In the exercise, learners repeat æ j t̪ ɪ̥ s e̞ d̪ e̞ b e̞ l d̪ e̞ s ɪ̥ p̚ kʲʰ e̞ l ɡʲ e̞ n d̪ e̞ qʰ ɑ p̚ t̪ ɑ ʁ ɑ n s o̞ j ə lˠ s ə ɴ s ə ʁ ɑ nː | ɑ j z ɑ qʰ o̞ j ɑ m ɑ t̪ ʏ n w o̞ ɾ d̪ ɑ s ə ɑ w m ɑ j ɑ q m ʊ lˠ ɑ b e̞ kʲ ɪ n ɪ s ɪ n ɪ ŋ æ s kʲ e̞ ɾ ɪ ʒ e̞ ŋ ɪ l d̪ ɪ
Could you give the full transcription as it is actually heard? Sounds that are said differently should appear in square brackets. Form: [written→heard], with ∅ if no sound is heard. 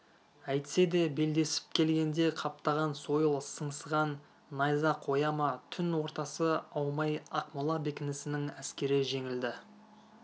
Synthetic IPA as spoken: æ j t̪ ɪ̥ s e̞ d̪ e̞ b e̞ l d̪ e̞ s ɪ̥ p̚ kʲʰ e̞ l ɡʲ e̞ n d̪ e̞ qʰ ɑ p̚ t̪ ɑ ʁ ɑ n s o̞ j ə lˠ s ə ɴ s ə ʁ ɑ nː | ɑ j z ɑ qʰ o̞ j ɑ m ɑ [t̪→t̪ʰ] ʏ n w o̞ ɾ [d̪→t̪] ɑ s ə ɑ w m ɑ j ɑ q m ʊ lˠ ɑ b e̞ kʲ ɪ n ɪ s ɪ n ɪ ŋ æ s kʲ e̞ ɾ ɪ ʒ e̞ ŋ ɪ l d̪ ɪ